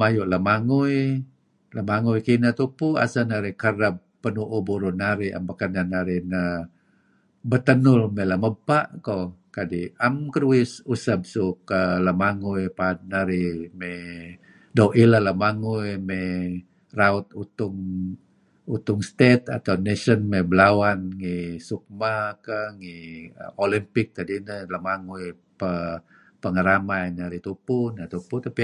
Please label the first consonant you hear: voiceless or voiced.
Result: voiced